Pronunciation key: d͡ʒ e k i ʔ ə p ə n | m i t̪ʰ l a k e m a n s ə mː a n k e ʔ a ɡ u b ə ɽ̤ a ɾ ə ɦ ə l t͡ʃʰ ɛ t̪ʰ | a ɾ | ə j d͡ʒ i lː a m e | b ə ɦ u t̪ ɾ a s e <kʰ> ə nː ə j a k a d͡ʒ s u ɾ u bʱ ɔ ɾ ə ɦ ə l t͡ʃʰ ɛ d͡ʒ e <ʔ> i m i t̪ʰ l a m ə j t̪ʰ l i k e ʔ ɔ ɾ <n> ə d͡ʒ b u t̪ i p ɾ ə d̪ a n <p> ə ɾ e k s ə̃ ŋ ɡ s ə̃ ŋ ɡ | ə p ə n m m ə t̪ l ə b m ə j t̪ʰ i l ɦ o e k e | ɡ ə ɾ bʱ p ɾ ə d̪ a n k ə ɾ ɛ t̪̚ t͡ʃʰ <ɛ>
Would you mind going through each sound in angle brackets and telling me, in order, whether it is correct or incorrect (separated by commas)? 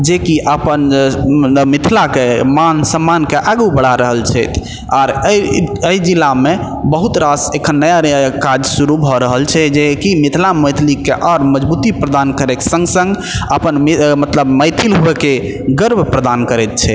correct, incorrect, incorrect, incorrect, correct